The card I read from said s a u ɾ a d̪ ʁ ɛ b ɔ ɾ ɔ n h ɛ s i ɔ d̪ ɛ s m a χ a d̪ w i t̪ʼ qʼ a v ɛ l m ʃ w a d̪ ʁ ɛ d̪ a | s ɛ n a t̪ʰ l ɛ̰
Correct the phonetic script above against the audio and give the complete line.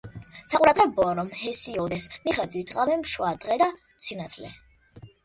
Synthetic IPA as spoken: s a u ɾ a d̪ ʁ ɛ b ɔ ɾ ɔ m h ɛ s i ɔ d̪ ɛ s m i χ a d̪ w i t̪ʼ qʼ a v ɛ m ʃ w a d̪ ʁ ɛ d̪ a | s i n a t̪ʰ l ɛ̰